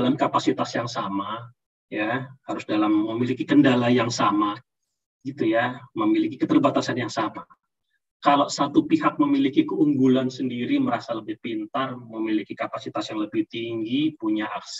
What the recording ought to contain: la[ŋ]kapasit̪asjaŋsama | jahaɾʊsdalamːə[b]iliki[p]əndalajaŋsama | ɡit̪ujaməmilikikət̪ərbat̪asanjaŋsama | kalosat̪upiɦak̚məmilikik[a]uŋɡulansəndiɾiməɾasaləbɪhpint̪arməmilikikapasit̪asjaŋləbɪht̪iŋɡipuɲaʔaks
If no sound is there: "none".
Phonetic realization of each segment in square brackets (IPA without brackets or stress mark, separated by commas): m, m, k, ə